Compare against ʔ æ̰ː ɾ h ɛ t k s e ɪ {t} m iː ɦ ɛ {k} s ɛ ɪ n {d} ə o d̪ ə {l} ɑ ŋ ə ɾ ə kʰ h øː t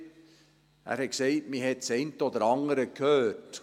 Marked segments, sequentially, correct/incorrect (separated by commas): correct, incorrect, incorrect, incorrect